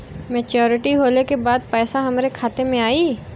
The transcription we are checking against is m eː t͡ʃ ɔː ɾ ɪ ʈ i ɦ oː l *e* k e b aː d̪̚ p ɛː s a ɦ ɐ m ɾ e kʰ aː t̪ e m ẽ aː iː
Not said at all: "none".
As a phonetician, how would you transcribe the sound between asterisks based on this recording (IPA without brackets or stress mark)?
e